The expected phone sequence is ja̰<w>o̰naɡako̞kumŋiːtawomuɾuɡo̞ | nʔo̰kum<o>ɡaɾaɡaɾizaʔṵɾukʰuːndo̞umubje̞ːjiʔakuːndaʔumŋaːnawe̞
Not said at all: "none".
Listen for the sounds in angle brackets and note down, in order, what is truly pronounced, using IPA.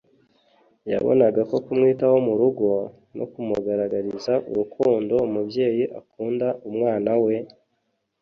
β, u

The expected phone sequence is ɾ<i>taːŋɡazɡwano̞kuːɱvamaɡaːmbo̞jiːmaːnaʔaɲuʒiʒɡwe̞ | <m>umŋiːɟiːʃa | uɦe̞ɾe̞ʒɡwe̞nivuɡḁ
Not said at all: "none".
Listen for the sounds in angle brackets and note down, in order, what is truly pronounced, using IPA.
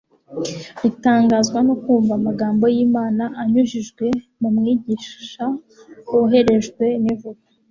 i, m

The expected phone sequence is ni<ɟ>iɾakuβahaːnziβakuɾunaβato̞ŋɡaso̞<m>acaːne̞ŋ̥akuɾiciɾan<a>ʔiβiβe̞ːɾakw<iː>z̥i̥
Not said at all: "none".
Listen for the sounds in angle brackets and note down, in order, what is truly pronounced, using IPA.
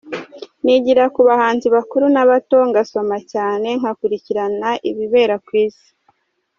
ɟ, m, a, iː

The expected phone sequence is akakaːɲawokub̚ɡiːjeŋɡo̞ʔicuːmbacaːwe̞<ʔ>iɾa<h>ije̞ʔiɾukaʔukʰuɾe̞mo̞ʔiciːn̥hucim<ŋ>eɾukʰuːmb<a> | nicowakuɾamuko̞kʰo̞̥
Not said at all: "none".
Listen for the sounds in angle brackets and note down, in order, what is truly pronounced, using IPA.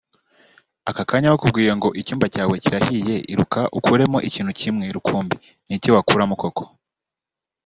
c, h, ŋ, i

